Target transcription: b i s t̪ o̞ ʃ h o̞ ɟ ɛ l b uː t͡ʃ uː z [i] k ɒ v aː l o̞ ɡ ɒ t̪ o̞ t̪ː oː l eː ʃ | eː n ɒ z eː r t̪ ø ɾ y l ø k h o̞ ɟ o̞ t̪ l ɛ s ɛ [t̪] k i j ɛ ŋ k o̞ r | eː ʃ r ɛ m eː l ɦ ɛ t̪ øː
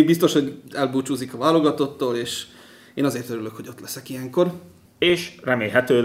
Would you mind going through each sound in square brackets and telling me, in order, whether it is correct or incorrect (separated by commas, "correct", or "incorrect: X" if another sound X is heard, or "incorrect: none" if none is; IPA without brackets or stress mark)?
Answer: correct, incorrect: none